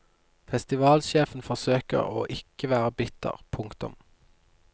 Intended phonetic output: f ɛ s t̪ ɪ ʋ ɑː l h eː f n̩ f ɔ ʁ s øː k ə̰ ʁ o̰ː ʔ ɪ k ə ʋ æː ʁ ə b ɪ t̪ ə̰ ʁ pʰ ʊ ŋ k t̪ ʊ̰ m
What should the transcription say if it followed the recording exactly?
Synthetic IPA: f ɛ s t̪ ɪ ʋ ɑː l ʃ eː f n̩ f ɔ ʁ s øː k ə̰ ʁ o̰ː ʔ ɪ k ə ʋ æː ʁ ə b ɪ t̪ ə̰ ʁ pʰ ʊ ŋ k t̪ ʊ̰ m